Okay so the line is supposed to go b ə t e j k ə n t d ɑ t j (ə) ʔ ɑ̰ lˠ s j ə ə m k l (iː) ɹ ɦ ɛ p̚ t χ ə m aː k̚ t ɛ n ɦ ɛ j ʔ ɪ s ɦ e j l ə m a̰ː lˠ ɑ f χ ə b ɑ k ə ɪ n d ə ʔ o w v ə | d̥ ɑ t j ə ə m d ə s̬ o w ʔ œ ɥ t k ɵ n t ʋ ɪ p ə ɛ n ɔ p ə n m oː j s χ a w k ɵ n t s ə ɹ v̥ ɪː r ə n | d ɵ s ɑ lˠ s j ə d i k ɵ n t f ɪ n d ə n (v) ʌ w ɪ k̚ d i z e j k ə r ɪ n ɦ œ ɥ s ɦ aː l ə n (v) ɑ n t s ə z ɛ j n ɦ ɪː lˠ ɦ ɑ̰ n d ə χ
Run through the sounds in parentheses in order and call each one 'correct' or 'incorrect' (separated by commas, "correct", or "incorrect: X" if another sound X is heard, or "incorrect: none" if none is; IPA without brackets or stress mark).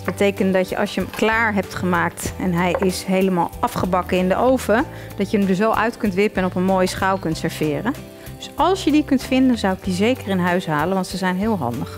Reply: correct, incorrect: aː, incorrect: z, incorrect: ʋ